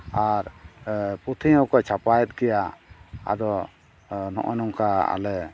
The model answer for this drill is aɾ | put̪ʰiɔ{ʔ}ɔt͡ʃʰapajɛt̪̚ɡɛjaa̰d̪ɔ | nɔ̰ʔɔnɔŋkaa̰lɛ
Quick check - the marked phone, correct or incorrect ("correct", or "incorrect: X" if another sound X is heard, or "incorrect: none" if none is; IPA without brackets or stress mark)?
incorrect: k